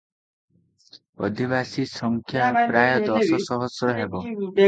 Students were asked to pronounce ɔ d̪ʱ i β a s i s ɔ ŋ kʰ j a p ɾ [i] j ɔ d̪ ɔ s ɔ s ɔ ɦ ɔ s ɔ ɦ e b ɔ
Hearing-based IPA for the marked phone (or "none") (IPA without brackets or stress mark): a